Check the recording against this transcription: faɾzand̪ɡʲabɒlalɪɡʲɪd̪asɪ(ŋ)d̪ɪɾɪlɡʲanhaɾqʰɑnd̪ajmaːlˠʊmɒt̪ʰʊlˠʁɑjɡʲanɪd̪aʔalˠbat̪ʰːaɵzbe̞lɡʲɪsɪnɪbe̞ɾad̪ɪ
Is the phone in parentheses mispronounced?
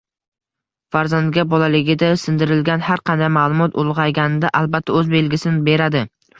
yes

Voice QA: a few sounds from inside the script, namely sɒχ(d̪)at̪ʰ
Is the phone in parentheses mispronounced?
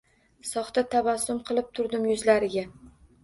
yes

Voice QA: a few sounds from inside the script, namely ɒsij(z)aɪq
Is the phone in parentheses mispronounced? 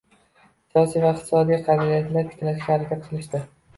yes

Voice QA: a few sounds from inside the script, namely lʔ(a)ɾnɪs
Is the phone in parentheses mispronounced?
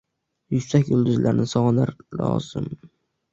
no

